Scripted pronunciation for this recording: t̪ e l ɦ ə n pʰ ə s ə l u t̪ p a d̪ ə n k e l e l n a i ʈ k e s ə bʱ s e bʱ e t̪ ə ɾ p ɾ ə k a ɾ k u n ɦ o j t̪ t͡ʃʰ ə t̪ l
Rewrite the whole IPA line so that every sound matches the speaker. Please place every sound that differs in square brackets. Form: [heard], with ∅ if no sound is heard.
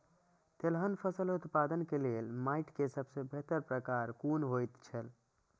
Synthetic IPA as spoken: t̪ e l ɦ ə n pʰ ə s ə l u t̪ p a d̪ ə n k e l e l [m] a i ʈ k e s ə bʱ s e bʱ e t̪ ə ɾ p ɾ ə k a ɾ k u n ɦ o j t̪ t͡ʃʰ ə [∅] l